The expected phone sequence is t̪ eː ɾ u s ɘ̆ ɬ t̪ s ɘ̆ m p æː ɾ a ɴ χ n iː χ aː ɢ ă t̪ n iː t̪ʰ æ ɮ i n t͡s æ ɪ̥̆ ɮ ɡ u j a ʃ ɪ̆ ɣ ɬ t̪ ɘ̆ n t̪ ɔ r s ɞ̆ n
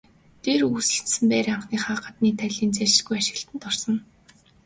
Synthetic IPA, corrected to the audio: t̪ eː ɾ u s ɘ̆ ɬ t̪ s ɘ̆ m p æː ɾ a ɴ χ n iː χ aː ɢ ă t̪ n iː t̪ʰ æ ɮ iː n t͡s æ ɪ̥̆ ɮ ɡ u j a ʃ ɪ̆ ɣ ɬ t̪ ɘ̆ n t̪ ɔ r s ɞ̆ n